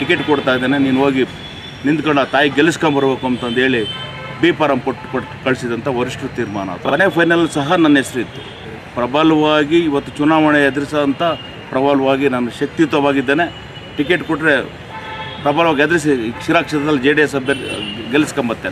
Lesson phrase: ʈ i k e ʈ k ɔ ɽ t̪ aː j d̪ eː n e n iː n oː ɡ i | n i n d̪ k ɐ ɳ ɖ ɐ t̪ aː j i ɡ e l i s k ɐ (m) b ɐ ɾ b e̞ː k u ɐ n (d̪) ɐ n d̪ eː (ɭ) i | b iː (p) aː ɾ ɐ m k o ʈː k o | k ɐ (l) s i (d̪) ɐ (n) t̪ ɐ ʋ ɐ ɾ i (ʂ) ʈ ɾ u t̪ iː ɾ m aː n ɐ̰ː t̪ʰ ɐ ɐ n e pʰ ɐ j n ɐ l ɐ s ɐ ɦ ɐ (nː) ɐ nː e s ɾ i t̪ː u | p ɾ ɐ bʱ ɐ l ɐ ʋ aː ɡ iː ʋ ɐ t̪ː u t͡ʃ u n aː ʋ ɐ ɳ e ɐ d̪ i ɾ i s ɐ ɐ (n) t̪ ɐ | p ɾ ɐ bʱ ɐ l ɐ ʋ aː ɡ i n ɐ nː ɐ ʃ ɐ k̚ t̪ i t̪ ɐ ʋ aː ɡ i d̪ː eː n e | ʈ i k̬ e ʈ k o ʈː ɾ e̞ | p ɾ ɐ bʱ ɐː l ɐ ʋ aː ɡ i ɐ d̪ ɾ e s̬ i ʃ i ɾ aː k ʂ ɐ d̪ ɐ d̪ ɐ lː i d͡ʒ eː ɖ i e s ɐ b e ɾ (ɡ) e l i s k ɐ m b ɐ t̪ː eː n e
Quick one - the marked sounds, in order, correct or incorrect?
correct, incorrect: t̪, correct, correct, incorrect: ɭ, correct, correct, correct, incorrect: n, correct, correct

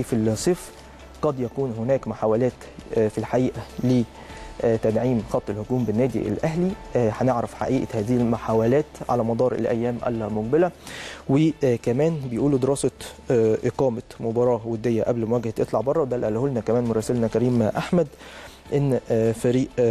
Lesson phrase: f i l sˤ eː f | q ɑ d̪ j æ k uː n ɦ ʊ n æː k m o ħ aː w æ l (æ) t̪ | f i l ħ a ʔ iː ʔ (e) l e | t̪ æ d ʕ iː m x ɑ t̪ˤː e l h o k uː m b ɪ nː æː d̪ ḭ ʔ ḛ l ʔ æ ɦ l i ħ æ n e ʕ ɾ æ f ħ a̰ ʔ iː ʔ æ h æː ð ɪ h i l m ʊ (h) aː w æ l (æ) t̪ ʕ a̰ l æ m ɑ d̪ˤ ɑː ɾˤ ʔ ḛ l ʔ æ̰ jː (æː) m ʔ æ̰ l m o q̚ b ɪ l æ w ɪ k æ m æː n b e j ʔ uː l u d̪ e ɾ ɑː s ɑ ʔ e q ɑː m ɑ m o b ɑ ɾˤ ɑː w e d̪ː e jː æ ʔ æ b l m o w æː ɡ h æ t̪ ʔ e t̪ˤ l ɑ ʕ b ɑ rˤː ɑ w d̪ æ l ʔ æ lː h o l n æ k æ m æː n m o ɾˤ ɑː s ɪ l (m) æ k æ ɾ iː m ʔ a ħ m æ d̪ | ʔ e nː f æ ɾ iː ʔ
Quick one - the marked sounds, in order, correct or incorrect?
incorrect: æː, incorrect: æ, incorrect: ħ, incorrect: æː, correct, incorrect: n

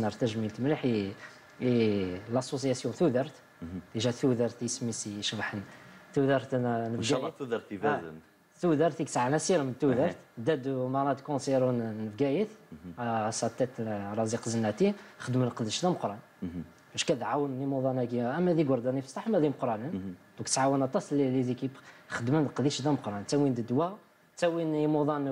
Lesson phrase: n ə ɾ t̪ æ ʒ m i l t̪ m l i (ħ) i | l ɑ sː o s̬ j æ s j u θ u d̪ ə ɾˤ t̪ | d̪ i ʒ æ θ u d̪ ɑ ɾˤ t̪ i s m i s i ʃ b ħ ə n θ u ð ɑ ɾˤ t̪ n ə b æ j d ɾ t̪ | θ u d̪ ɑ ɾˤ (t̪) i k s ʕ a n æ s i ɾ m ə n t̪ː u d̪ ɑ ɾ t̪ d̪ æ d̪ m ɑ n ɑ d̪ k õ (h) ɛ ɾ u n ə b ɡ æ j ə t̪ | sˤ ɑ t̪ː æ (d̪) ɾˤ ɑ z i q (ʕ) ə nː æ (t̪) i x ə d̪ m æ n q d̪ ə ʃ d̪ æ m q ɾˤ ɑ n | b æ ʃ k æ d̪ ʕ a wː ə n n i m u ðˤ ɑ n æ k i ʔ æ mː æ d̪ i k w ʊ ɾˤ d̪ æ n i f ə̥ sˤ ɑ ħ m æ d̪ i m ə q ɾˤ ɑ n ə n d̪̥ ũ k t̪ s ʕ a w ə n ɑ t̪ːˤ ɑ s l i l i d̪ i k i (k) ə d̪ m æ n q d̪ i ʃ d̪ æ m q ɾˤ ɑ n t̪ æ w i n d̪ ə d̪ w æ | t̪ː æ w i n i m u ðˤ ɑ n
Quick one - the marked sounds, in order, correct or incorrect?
correct, correct, incorrect: s, incorrect: t̪, incorrect: z, correct, incorrect: x

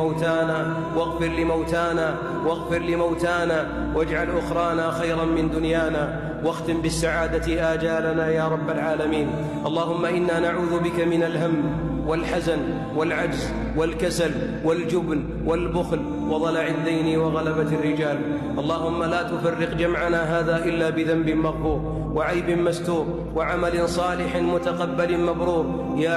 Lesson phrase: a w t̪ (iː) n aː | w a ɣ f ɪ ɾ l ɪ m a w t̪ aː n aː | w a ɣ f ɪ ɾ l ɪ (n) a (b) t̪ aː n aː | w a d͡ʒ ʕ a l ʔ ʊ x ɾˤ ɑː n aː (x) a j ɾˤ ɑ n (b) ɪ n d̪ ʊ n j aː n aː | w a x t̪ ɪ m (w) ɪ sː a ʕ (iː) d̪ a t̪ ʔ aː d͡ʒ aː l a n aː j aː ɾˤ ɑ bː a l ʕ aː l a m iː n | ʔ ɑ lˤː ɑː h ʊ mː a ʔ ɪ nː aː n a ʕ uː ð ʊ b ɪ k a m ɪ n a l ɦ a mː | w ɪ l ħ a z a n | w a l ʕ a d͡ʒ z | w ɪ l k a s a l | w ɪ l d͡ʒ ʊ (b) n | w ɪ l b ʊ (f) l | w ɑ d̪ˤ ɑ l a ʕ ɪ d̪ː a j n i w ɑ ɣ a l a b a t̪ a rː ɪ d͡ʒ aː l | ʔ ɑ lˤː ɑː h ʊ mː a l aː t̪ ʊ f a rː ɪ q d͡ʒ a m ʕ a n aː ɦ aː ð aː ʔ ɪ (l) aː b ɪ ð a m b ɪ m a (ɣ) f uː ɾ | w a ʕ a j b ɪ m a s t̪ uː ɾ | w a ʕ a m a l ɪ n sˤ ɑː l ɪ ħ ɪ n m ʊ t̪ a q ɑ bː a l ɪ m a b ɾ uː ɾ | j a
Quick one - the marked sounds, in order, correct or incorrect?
incorrect: aː, incorrect: m, incorrect: w, correct, incorrect: m, incorrect: b, incorrect: aː, correct, incorrect: x, incorrect: lː, correct

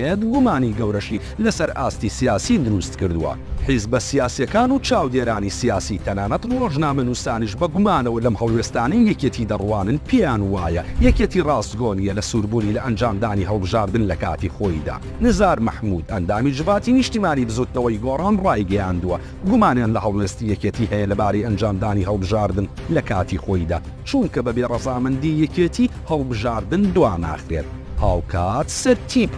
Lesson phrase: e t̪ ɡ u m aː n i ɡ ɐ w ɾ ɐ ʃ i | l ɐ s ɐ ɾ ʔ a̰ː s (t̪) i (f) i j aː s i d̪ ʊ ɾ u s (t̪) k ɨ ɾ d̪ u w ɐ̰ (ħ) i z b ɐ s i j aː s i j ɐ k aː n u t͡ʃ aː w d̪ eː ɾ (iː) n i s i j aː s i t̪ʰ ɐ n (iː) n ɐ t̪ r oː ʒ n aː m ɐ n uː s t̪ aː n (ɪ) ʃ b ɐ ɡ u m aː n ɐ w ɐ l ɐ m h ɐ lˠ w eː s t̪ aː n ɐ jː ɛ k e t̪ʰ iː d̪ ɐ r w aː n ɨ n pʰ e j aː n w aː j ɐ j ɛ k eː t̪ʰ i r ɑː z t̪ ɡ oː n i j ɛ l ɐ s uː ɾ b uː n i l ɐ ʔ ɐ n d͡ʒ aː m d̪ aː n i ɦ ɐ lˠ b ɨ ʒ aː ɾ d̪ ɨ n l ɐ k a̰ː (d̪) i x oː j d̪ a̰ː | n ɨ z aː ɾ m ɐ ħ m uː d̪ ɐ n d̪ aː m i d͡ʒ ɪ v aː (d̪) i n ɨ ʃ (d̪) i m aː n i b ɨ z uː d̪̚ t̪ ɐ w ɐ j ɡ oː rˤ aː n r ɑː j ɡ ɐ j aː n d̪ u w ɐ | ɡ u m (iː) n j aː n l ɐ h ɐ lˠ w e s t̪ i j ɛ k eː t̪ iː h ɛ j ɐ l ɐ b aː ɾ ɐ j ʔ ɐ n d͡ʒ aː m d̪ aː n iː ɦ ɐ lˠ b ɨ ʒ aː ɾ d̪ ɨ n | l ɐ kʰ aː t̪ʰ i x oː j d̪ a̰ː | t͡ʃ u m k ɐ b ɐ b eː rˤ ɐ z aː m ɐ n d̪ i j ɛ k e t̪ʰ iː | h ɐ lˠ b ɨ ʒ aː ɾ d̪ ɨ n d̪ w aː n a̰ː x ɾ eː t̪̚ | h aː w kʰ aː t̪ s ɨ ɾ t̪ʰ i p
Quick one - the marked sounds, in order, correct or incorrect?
correct, incorrect: s, correct, correct, incorrect: aː, incorrect: aː, incorrect: i, incorrect: t̪, incorrect: t̪, incorrect: t̪, incorrect: aː

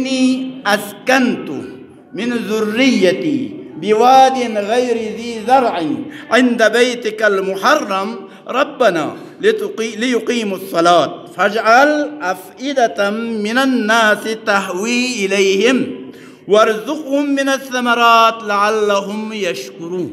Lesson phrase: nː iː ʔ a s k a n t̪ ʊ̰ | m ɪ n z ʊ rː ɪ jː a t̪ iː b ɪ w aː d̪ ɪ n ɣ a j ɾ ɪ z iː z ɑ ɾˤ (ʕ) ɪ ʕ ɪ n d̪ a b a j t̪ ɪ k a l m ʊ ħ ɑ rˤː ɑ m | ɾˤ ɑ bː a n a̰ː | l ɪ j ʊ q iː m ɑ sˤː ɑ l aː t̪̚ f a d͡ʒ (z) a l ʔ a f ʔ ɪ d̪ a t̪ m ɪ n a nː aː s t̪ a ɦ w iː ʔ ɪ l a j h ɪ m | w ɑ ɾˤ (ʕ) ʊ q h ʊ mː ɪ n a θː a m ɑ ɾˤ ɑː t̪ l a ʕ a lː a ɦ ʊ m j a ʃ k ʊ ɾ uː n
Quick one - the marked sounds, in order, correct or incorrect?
correct, incorrect: ʕ, incorrect: z

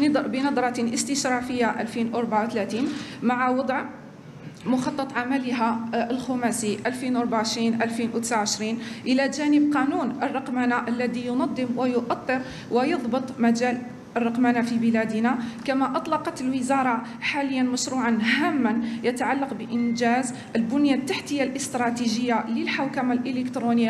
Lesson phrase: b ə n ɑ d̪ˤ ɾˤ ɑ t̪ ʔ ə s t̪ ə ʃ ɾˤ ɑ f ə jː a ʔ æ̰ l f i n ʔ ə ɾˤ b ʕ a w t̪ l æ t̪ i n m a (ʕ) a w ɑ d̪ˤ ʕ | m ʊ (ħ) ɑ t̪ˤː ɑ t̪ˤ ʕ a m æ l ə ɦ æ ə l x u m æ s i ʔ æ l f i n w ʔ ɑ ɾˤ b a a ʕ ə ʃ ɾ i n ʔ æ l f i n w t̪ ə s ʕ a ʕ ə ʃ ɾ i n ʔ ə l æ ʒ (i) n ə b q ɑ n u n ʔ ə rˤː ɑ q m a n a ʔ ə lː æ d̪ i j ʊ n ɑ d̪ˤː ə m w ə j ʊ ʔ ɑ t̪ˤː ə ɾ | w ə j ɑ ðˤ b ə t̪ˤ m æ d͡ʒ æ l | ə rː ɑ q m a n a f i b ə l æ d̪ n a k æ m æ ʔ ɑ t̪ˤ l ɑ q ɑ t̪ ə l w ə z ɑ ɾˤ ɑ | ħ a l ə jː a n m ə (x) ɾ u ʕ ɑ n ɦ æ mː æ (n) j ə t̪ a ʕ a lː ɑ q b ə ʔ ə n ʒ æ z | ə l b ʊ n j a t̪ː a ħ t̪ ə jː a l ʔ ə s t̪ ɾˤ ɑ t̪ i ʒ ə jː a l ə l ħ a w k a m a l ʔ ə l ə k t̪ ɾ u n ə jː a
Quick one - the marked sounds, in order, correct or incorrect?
correct, incorrect: x, incorrect: æ, incorrect: ʃ, correct

